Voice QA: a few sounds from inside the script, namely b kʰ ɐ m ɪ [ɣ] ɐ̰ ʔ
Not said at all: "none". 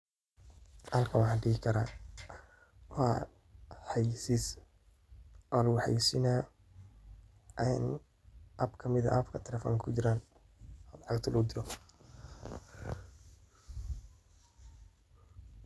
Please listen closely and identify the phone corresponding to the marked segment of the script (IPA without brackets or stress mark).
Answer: ð